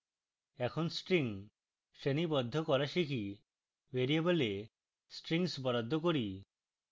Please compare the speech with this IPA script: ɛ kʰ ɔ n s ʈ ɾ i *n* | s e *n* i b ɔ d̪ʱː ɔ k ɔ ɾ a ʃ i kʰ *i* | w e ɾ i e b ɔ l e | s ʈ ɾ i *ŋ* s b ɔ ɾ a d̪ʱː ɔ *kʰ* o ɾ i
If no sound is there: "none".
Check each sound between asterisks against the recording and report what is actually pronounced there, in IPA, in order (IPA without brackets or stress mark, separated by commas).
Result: ŋ, n, i, ŋ, k